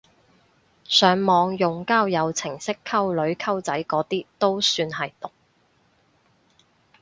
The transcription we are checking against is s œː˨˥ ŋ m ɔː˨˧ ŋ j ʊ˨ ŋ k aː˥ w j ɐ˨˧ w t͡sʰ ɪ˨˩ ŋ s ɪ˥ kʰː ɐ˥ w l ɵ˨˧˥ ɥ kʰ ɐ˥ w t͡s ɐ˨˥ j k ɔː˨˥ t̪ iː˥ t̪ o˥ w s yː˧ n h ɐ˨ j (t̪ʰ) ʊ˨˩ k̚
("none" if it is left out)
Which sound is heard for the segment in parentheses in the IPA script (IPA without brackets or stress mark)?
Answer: t̪